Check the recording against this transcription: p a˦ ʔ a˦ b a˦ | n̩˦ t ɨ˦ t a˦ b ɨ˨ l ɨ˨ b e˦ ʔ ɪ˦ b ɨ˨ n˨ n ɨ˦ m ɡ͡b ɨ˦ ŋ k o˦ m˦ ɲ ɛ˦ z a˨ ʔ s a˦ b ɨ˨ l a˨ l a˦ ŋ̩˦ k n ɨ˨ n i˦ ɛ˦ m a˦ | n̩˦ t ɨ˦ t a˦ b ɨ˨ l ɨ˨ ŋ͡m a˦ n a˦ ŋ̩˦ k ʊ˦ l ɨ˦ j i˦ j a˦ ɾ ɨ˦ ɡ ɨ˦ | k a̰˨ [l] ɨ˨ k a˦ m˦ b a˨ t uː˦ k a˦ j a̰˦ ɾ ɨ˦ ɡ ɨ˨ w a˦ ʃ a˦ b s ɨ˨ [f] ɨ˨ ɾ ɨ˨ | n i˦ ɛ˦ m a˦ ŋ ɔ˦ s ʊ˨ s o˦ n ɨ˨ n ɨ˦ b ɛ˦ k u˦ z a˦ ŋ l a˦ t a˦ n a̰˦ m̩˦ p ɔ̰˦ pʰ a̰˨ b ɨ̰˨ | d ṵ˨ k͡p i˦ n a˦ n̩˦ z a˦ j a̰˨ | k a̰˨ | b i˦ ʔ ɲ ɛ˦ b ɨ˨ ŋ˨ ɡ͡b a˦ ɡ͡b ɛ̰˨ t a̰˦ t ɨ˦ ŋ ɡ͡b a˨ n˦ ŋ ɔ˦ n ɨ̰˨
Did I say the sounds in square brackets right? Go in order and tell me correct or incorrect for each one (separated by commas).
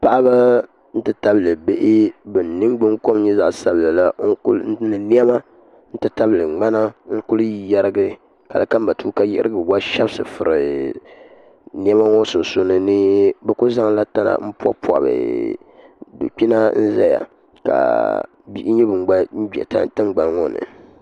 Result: correct, correct